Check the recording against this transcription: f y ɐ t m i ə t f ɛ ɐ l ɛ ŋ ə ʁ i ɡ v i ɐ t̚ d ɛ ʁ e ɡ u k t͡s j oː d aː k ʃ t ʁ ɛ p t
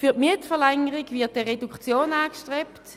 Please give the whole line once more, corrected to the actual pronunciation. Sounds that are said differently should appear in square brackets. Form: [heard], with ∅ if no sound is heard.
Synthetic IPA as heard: f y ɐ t m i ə t f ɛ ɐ l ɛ ŋ ə ʁ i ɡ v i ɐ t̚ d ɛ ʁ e [d] u k t͡s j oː [n] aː k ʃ t ʁ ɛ p t